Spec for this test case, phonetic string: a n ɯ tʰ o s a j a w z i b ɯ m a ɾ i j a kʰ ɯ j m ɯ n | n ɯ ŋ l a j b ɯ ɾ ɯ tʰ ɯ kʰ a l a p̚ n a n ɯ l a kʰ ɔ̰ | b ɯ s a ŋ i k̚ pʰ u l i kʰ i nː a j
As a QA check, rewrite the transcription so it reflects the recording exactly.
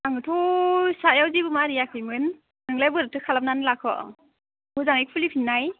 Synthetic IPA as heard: a ŋ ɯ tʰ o s a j a w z i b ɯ m a ɾ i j a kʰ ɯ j m ɯ n | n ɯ ŋ l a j b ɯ ɾ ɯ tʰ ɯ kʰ a l a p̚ n a n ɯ l a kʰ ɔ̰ | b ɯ z a ŋ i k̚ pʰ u l i pʰ i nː a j